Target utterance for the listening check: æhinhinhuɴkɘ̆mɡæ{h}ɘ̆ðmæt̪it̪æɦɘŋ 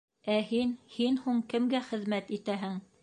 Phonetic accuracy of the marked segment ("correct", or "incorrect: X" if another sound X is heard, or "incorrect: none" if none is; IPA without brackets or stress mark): incorrect: χ